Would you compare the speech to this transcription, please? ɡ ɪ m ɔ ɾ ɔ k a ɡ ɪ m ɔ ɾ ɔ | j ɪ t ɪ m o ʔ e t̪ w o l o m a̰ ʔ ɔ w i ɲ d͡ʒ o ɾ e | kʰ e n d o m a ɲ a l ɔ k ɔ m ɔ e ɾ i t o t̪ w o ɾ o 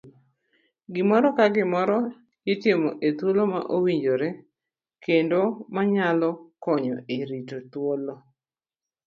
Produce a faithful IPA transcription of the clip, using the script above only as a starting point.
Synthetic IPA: ɡ ɪ m ɔ ɾ ɔ k a ɡ ɪ m ɔ ɾ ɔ | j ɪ t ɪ m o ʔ e t̪ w o l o m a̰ ʔ o w i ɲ d͡ʒ o ɾ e | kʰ e n d o m a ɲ a l ɔ k ɔ ɲ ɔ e ɾ i t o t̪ w o l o